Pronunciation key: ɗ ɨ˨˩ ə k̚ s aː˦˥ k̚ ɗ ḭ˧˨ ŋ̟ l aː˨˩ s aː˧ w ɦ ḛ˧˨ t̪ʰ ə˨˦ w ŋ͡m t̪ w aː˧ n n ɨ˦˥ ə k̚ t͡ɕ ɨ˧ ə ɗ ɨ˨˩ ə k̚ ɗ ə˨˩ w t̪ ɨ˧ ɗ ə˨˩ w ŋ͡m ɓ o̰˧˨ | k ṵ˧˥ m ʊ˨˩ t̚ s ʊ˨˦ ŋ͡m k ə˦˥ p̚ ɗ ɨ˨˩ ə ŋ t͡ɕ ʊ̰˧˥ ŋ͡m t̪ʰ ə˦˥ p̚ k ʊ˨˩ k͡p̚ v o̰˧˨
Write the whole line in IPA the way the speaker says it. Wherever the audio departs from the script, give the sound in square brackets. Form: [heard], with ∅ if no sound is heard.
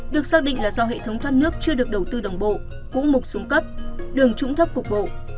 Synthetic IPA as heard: ɗ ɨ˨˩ ə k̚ s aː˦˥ k̚ ɗ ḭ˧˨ ŋ̟ l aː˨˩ [z] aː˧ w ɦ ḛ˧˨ t̪ʰ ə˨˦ w ŋ͡m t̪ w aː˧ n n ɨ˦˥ ə k̚ t͡ɕ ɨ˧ ə ɗ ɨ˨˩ ə k̚ ɗ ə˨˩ w t̪ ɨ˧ ɗ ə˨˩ w ŋ͡m ɓ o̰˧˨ | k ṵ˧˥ m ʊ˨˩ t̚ s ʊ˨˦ ŋ͡m k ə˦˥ p̚ ɗ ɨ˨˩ ə ŋ t͡ɕ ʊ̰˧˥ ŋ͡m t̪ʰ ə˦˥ p̚ k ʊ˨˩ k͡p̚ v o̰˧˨